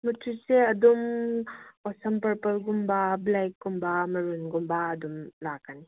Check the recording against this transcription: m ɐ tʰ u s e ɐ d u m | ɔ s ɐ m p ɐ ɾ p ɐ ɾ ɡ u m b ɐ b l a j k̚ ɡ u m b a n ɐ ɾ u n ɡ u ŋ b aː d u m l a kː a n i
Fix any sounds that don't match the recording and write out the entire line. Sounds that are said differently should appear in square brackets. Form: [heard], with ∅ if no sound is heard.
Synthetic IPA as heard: m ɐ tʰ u s e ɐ d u m | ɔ s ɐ m p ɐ ɾ p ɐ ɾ ɡ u m b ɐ b l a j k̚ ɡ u m b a [m] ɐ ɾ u n ɡ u [m] b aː d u m l a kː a n i